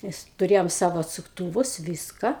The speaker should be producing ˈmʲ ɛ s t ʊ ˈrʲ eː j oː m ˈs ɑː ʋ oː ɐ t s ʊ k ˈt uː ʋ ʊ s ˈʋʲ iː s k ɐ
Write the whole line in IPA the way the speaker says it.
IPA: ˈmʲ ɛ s t ʊ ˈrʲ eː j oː m ˈs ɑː ʋ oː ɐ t s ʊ k ˈt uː ʋ ʊ s ˈʋʲ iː s k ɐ

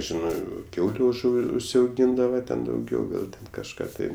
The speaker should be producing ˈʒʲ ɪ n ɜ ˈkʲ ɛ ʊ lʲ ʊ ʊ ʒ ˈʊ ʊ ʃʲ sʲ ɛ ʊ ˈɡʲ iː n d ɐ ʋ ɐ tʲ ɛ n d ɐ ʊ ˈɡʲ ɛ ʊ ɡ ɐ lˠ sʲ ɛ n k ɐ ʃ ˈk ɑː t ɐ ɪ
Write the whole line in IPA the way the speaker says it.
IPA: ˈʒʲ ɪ n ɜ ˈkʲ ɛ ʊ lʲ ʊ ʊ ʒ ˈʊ ʊ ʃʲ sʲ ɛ ʊ ˈɡʲ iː n d ɐ ʋ ɐ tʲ ɛ n d ɐ ʊ ˈɡʲ ɛ ʊ ɡ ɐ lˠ tʲ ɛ n k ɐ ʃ ˈk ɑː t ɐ ɪ

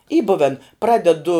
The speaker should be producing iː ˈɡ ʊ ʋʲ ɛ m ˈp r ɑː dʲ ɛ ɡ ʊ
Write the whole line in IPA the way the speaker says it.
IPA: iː ˈb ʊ ʋʲ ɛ n ˈp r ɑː dʲ ɛ d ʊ

